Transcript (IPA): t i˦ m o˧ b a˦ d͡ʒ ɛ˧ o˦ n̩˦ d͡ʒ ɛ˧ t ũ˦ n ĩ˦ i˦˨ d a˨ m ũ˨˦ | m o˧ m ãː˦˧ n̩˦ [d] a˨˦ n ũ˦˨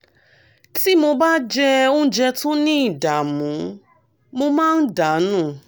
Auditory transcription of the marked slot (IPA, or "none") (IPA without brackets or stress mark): d